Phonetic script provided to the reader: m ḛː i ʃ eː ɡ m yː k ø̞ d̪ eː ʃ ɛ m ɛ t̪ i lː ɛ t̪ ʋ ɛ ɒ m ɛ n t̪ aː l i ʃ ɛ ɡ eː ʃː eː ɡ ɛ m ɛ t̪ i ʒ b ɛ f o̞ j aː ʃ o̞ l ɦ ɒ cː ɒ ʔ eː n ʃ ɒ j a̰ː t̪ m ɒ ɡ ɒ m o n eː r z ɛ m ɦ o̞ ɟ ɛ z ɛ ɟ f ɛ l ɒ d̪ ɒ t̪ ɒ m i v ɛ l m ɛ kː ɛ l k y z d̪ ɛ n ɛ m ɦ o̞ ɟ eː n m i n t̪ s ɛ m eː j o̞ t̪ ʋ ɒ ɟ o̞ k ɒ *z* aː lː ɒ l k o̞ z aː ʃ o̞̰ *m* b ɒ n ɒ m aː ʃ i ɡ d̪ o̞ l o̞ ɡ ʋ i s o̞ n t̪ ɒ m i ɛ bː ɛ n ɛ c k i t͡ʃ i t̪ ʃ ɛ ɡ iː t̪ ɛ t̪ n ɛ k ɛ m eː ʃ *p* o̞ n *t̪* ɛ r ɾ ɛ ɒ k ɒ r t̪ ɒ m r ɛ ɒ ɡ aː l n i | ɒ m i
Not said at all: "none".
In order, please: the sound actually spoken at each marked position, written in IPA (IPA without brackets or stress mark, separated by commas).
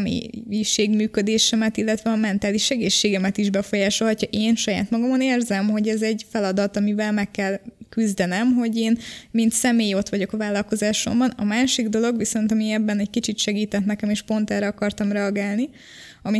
v, m, p, t̪